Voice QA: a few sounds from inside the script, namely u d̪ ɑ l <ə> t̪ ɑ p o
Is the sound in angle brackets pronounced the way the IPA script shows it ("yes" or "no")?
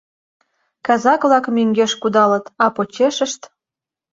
yes